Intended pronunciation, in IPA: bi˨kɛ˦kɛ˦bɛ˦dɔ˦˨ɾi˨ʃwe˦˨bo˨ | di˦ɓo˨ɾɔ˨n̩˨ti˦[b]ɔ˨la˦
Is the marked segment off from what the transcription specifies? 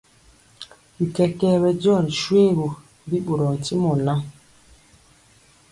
yes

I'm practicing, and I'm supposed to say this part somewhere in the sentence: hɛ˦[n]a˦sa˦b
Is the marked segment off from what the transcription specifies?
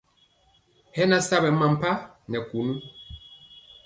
no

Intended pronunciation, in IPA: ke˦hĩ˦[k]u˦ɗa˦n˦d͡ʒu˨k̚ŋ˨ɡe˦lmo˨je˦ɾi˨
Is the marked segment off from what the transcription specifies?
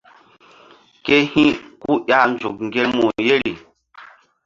no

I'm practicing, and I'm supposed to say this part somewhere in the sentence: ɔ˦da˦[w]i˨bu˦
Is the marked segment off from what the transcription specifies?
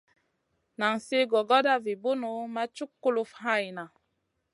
yes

